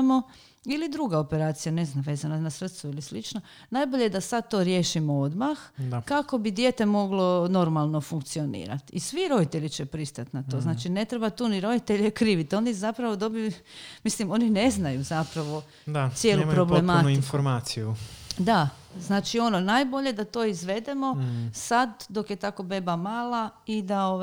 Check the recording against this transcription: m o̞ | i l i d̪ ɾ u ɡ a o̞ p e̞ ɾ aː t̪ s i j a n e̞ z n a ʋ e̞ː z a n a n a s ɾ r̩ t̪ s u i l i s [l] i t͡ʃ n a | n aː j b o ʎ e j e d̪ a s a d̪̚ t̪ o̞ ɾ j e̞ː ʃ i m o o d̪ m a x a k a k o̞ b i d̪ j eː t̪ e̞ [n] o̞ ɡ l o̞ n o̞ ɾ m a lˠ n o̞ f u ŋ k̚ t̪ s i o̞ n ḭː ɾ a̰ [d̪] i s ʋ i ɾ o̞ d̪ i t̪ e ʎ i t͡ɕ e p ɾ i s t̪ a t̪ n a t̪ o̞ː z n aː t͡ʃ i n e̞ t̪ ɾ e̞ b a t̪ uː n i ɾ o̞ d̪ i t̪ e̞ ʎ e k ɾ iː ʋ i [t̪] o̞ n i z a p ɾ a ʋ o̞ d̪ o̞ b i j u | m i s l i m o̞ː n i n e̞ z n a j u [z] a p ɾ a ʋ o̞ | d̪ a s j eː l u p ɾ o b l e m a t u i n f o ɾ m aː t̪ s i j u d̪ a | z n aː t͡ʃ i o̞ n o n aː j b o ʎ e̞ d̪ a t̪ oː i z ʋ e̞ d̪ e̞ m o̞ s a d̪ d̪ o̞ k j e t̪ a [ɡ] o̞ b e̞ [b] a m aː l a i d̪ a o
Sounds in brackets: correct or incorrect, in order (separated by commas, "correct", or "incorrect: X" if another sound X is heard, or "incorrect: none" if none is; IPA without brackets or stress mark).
correct, incorrect: m, incorrect: t̪, correct, correct, incorrect: k, correct